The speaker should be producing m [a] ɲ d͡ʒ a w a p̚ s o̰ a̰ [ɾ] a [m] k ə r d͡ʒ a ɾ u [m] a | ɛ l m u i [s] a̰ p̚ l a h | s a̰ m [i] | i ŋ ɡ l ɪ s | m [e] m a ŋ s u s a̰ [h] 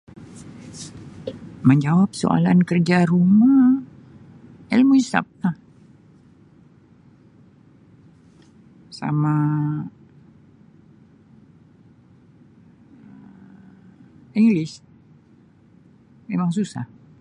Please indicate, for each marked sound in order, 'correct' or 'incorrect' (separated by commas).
incorrect, incorrect, incorrect, correct, correct, incorrect, correct, correct